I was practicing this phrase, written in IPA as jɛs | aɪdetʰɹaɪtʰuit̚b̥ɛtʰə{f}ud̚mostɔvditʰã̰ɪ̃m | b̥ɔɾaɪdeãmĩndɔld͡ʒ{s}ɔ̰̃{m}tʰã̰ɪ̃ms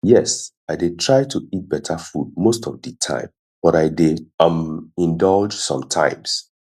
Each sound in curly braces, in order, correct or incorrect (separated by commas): correct, correct, correct